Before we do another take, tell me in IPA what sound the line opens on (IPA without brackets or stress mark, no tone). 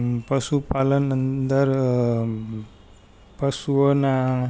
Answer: p